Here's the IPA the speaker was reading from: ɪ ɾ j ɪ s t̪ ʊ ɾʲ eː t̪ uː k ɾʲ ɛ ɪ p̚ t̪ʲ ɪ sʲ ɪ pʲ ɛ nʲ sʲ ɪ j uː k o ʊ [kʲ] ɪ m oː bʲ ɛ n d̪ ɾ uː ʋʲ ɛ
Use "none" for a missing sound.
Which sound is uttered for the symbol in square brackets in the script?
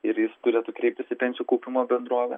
pʲ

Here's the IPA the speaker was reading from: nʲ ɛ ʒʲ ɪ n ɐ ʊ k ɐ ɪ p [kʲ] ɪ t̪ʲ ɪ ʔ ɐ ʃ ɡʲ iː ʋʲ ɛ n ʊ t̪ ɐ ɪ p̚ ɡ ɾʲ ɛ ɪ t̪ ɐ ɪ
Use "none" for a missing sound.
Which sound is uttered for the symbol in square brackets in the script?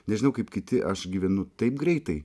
kʲ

